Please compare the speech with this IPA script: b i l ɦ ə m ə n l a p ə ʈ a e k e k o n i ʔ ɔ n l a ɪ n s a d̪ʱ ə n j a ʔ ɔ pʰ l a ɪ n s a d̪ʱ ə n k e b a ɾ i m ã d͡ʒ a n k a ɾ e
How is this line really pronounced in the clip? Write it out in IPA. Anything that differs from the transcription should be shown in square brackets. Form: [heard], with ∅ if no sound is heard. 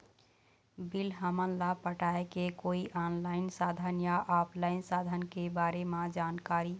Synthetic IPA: b i l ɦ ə m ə n l a p ə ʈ a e k e k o [∅] i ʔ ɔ n l a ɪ n s a d̪ʱ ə n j a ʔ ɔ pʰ l a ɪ n s a d̪ʱ ə n k e b a ɾ [e] m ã d͡ʒ a n k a ɾ [i]